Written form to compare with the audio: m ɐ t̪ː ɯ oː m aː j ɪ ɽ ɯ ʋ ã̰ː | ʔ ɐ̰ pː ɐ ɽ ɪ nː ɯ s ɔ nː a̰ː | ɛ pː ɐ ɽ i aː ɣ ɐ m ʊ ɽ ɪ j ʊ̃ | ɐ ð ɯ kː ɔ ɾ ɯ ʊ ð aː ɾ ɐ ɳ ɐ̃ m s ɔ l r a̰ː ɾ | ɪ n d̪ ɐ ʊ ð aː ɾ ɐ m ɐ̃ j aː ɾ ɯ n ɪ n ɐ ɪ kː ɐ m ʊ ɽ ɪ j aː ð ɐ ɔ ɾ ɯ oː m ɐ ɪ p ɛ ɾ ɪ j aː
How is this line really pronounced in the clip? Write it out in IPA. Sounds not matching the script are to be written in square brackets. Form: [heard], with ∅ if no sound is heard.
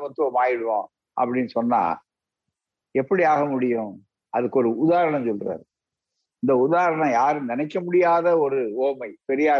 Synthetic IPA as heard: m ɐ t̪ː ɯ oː m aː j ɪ ɽ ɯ ʋ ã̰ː | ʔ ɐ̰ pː ɐ ɽ ɪ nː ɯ s ɔ nː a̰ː | ɛ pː ɐ ɽ i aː ɣ ɐ m ʊ ɽ ɪ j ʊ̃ | ɐ ð ɯ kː ɔ ɾ ɯ ʊ ð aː ɾ ɐ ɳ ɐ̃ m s ɔ l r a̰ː ɾ | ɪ n d̪ ɐ ʊ ð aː ɾ ɐ [ɳ] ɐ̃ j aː ɾ ɯ n ɪ n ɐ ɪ kː ɐ m ʊ ɽ ɪ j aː ð ɐ ɔ ɾ ɯ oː m ɐ ɪ p ɛ ɾ ɪ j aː